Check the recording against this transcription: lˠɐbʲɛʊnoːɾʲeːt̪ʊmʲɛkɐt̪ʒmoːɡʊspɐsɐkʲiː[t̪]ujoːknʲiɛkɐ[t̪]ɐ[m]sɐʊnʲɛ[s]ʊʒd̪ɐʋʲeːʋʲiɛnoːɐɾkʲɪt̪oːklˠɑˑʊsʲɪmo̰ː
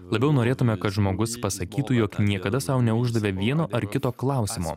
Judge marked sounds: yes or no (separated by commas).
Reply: yes, no, no, no